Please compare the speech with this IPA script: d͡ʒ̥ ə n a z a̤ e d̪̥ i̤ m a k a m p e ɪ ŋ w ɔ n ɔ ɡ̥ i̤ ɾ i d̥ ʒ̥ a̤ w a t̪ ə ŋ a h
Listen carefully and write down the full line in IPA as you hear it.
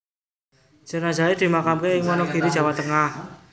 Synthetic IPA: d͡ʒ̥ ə n a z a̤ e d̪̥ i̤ m a k a m k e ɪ ŋ w ɔ n ɔ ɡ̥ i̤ ɾ i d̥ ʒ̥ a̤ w a t̪ ə ŋ a h